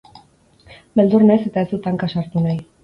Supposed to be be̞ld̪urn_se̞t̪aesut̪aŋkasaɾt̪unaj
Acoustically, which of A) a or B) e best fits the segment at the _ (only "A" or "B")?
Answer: B